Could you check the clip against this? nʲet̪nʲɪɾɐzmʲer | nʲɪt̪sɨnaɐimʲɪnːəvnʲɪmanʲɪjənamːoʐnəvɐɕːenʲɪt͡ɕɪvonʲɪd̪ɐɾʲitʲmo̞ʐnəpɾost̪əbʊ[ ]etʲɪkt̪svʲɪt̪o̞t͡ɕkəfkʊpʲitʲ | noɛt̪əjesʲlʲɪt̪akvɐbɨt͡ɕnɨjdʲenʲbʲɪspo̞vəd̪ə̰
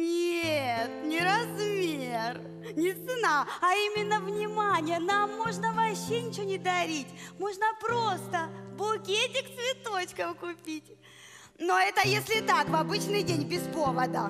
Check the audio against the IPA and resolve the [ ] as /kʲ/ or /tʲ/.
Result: kʲ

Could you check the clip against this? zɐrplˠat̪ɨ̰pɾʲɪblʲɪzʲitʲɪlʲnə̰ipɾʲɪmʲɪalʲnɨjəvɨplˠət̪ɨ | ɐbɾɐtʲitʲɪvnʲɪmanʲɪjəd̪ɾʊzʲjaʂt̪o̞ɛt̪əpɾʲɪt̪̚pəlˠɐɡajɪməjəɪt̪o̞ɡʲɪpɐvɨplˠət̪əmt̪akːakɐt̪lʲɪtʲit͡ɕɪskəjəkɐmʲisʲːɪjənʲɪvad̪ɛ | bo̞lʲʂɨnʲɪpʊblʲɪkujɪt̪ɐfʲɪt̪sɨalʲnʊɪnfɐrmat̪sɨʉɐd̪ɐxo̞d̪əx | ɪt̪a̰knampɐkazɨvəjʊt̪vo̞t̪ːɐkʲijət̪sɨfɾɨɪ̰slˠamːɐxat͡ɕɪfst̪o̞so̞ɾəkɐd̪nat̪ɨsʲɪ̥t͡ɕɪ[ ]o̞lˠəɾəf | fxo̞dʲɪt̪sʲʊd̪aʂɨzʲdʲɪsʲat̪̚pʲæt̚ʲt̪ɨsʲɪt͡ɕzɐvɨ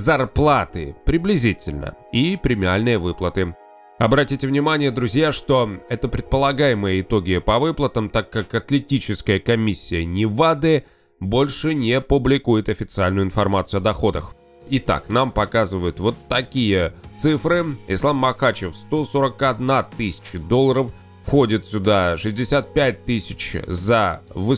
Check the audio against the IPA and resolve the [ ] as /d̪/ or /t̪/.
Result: d̪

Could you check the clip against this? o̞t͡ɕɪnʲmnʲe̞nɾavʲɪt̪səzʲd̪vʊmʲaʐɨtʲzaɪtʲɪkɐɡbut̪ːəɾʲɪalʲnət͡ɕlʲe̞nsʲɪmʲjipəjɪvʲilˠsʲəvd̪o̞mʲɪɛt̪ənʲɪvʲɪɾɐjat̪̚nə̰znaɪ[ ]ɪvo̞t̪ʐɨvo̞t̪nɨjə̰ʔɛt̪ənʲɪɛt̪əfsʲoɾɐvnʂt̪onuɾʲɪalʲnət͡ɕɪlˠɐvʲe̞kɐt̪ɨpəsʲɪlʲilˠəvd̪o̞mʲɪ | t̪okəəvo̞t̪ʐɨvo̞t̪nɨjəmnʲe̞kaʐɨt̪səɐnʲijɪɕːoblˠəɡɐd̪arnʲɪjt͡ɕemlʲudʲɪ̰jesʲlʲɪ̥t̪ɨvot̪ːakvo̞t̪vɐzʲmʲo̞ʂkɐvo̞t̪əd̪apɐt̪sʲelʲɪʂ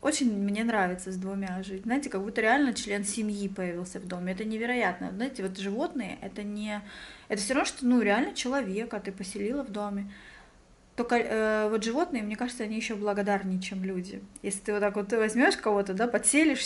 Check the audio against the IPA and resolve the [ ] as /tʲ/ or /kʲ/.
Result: tʲ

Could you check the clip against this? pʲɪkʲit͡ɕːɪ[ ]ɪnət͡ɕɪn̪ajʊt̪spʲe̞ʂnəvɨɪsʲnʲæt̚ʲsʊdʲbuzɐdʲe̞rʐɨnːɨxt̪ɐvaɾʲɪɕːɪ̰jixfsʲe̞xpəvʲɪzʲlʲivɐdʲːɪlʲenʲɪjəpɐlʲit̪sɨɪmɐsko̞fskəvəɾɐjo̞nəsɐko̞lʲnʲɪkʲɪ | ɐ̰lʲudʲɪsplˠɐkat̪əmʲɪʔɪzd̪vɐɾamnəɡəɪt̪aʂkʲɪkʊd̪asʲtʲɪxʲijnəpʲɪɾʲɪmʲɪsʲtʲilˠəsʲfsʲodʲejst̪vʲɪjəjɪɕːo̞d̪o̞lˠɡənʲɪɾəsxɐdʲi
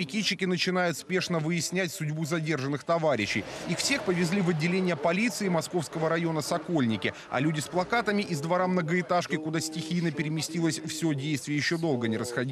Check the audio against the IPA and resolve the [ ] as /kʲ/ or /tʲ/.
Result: kʲ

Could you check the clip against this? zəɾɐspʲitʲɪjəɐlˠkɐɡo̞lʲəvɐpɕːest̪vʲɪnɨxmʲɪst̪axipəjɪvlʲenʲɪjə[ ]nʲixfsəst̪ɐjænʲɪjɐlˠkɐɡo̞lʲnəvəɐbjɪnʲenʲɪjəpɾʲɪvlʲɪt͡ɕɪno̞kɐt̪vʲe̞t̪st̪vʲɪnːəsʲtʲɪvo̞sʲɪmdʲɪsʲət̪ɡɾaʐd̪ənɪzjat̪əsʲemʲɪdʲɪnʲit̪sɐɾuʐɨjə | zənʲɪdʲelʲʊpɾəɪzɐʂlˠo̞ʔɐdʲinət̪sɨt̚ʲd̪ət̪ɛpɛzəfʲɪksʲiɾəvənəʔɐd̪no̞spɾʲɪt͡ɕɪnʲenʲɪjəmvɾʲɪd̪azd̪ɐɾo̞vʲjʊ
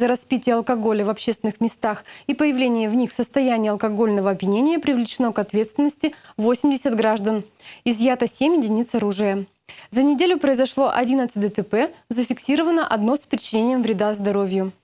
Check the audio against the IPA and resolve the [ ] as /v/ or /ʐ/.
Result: v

